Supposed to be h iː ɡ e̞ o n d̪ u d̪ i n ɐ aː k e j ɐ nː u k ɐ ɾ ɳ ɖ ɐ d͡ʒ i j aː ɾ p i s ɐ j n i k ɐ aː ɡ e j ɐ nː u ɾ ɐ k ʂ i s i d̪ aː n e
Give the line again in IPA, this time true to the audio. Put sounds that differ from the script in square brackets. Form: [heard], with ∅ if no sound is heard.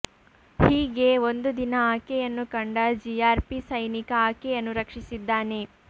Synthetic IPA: h iː ɡ e̞ o n d̪ u d̪ i n ɐ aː k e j ɐ nː u k ɐ [∅] ɳ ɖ ɐ d͡ʒ i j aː ɾ p i s ɐ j n i k ɐ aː [k] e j ɐ nː u ɾ ɐ k ʂ i s i [d̪ː] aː n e

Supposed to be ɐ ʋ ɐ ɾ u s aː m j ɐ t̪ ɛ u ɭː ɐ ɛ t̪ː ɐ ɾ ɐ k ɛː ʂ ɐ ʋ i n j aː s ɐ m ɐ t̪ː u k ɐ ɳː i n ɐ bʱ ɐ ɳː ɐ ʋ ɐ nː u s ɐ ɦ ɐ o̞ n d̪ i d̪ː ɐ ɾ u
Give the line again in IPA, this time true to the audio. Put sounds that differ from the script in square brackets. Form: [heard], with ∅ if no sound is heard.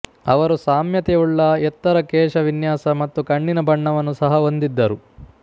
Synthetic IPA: ɐ ʋ ɐ ɾ u s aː m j ɐ t̪ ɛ u ɭː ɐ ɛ t̪ː ɐ ɾ ɐ k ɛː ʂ ɐ ʋ i n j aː s ɐ m ɐ t̪ː u k ɐ ɳː i n ɐ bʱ ɐ ɳː ɐ ʋ ɐ nː u s ɐ ɦ ɐ o̞ n d̪ i d̪ː ɐ ɾ u

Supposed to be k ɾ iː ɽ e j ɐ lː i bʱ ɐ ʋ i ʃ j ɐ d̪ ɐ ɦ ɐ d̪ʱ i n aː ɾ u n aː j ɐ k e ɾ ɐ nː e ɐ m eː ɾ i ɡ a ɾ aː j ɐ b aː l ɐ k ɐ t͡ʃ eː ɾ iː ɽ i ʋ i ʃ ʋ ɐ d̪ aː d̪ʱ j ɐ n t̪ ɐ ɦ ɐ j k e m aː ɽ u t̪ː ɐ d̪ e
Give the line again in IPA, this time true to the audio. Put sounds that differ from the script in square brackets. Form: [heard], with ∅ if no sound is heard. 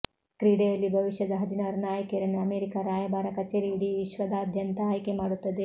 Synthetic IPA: k ɾ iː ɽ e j ɐ lː i bʱ ɐ ʋ i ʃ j ɐ d̪ ɐ ɦ ɐ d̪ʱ i n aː ɾ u n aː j ɐ k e ɾ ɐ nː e ɐ m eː ɾ i [k] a ɾ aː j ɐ b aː [ɾ] ɐ k ɐ t͡ʃ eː ɾ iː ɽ i ʋ i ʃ ʋ ɐ d̪ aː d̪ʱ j ɐ n t̪ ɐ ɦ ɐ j k e m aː ɽ u t̪ː ɐ d̪ e

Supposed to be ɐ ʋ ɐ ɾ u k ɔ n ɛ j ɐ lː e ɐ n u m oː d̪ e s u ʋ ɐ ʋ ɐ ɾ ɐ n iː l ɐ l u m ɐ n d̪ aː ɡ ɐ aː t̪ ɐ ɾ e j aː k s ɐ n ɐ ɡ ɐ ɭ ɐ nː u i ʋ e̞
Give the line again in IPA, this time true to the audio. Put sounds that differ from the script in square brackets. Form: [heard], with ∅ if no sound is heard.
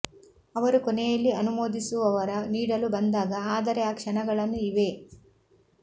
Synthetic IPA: ɐ ʋ ɐ ɾ u k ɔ n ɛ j ɐ lː [i] ɐ n u m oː d̪ [i] s u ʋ ɐ ʋ ɐ ɾ ɐ n iː [ɽ] ɐ l u [b] ɐ n d̪ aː ɡ ɐ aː [d̪] ɐ ɾ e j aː k [ʂ] ɐ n ɐ ɡ ɐ ɭ ɐ nː u i ʋ e̞

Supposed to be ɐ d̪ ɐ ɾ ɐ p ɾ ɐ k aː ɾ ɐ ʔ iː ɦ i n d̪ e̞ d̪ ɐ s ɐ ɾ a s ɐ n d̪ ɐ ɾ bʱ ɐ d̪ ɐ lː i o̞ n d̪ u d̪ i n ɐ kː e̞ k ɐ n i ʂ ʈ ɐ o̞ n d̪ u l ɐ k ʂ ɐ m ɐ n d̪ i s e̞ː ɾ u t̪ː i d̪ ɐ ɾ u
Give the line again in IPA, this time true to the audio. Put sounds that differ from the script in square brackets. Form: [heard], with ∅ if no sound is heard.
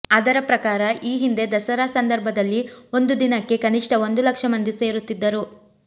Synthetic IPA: ɐ d̪ ɐ ɾ ɐ p ɾ ɐ k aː ɾ ɐ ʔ iː ɦ i n d̪ e̞ d̪ ɐ s ɐ ɾ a s ɐ n d̪ ɐ ɾ bʱ ɐ d̪ ɐ lː i o̞ n d̪ u d̪ i n ɐ kː e̞ k ɐ n i ʂ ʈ ɐ o̞ n d̪ u l ɐ k ʂ ɐ m ɐ n d̪ i s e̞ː ɾ u t̪ː i [d̪ː] ɐ ɾ u

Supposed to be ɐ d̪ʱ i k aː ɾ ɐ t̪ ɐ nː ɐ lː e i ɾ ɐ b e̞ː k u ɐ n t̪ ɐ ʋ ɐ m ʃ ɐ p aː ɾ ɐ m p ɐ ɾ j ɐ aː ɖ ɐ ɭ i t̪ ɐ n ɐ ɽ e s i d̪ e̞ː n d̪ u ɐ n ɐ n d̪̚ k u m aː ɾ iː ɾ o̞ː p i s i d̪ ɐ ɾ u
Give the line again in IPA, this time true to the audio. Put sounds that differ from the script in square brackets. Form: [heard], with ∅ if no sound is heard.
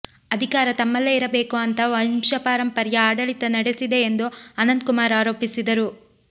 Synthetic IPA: ɐ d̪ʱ i k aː ɾ ɐ t̪ ɐ [mː] ɐ lː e i ɾ ɐ b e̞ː k u ɐ n t̪ ɐ ʋ ɐ m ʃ ɐ p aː ɾ ɐ m p ɐ ɾ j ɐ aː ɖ ɐ ɭ i t̪ ɐ n ɐ ɽ e s i d̪ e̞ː n d̪ u ɐ n ɐ n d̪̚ k u m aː ɾ [aː] ɾ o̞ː p i s i d̪ ɐ ɾ u

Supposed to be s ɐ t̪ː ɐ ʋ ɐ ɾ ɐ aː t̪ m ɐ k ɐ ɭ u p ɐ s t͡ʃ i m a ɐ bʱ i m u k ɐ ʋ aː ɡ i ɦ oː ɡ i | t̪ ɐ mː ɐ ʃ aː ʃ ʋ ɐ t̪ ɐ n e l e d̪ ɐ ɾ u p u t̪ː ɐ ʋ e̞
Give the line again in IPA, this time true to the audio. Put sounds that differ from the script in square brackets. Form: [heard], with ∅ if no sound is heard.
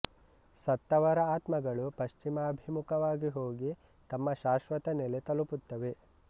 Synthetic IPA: s ɐ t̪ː ɐ ʋ ɐ ɾ ɐ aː t̪ m ɐ [ɡ] ɐ ɭ u p ɐ [ʃ] t͡ʃ i m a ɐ bʱ i m u k ɐ ʋ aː ɡ i ɦ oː ɡ i | t̪ ɐ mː ɐ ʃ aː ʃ ʋ ɐ t̪ ɐ n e l e [t̪] ɐ [l] u p u t̪ː ɐ ʋ e̞

